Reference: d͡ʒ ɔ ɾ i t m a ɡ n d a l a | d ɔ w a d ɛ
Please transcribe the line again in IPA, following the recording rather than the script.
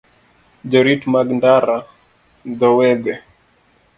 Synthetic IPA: d͡ʒ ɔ ɾ i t m a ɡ n d a ɾ a | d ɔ w ɛ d ɛ